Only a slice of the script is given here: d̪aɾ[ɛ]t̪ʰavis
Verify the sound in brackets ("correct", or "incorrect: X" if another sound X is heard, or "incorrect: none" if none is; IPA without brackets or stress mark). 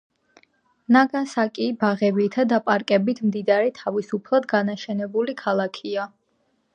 correct